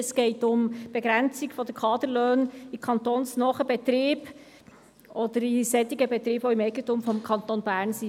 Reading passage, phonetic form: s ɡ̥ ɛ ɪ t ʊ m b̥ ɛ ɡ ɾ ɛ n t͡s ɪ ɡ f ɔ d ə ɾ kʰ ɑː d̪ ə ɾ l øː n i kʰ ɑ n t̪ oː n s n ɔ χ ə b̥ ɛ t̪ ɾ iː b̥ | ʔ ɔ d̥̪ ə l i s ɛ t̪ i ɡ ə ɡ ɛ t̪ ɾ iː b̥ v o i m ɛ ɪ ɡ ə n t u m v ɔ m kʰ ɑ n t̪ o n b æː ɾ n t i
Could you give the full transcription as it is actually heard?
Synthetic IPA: s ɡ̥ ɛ ɪ t ʊ m b̥ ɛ ɡ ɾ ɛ n t͡s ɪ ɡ f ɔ d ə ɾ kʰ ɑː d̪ ə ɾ l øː n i kʰ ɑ n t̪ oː n s n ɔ χ ə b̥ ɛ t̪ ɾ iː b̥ | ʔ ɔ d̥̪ ə ɾ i s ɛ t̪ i ɡ ə b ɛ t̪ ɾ iː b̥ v o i m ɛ ɪ ɡ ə n t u m f ɔ m kʰ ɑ n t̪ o n b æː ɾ n s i